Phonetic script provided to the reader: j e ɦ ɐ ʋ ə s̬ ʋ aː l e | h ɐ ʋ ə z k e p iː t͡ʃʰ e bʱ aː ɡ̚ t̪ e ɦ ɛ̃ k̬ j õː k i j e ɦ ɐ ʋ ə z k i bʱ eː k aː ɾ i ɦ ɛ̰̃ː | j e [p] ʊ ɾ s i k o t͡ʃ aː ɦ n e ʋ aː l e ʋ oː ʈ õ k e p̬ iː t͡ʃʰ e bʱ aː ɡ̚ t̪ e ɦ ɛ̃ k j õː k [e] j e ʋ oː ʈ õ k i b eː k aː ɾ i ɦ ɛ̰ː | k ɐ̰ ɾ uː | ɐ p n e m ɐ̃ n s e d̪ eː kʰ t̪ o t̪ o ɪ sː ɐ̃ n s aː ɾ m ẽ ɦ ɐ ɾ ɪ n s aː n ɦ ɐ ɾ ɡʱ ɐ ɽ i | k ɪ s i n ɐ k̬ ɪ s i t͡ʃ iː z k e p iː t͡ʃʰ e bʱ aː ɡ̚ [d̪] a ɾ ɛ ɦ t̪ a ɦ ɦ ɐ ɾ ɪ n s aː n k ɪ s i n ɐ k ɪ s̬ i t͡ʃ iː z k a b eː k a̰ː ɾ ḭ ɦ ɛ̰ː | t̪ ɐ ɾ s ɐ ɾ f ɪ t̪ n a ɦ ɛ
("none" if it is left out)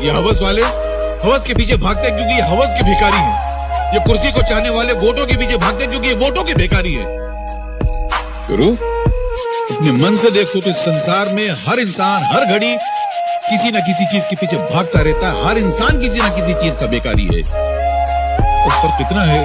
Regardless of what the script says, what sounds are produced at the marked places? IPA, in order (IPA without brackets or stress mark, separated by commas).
k, i, t̪